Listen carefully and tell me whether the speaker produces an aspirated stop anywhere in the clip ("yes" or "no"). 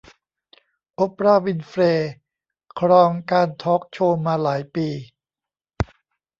yes